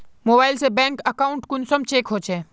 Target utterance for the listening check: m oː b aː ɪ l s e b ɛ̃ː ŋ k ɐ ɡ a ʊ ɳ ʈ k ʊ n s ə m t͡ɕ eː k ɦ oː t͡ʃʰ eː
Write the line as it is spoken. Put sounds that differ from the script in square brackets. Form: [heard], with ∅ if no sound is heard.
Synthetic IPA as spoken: m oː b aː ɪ l s e b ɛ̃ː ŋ k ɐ [k] a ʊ ɳ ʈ k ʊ n s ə m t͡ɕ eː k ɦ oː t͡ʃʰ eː

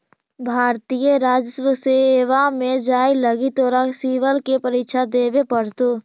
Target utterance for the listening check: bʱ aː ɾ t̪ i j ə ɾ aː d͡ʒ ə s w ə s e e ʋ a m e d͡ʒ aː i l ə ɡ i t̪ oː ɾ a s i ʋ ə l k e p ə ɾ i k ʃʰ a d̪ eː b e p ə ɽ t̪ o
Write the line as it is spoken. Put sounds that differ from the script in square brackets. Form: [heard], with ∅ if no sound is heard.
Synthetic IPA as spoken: bʱ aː ɾ t̪ i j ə ɾ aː d͡ʒ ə s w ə s e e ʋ a m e d͡ʒ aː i l ə ɡ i t̪ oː ɾ a s i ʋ ə l k e p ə ɾ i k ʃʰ a d̪ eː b e p ə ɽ t̪ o

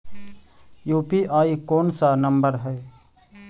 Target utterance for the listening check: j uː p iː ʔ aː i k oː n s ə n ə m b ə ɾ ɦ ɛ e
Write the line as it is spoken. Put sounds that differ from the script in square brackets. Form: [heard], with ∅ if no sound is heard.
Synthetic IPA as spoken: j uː p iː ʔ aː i k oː n s [a] n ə m b ə ɾ ɦ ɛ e

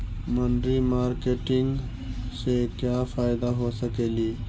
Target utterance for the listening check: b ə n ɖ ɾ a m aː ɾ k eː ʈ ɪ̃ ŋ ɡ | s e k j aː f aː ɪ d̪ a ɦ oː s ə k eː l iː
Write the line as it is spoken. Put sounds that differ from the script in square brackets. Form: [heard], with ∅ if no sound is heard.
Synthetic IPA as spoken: [m] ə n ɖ ɾ [i] m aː ɾ k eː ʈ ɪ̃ ŋ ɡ | s e k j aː f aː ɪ d̪ a ɦ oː s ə k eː l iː

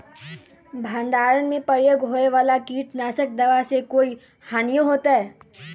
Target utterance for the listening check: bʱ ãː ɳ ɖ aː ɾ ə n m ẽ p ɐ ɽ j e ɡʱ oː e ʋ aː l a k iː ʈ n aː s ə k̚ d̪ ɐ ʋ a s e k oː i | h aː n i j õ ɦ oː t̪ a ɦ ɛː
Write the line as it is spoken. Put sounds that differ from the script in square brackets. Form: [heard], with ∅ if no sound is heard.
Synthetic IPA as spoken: bʱ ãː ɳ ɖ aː ɾ ə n m ẽ p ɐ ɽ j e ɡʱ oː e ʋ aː l a k iː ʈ n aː s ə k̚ d̪ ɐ ʋ a s e k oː i | h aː n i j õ ɦ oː t̪ a ɦ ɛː

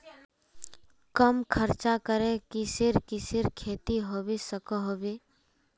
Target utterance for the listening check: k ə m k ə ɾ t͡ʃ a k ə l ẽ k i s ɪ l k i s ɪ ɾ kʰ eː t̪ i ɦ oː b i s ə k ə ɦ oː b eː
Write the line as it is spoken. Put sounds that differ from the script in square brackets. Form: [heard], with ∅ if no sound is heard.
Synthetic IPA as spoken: k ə m [kʰ] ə ɾ t͡ʃ a k ə [ɾ] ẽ k i s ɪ [ɾ] k i s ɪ ɾ kʰ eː t̪ i ɦ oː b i s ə k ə ɦ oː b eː

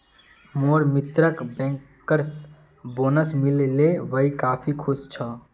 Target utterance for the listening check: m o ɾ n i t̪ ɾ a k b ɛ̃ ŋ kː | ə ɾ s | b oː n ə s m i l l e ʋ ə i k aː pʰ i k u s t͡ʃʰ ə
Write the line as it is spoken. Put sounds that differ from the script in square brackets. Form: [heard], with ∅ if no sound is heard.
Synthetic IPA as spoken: m o ɾ [m] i t̪ ɾ [ə] k b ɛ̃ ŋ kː | ə ɾ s | b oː n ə s m i l l e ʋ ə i k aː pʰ i [kʰ] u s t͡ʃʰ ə

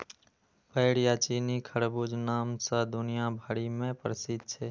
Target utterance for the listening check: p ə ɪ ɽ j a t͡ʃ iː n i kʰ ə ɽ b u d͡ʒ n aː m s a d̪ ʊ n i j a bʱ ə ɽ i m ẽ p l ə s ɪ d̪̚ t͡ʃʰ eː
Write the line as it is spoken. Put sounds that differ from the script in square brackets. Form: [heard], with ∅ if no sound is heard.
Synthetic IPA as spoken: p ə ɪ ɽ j a t͡ʃ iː n i kʰ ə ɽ b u d͡ʒ n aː m s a d̪ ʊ n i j a bʱ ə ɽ i m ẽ p [ɾ] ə s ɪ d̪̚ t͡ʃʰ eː

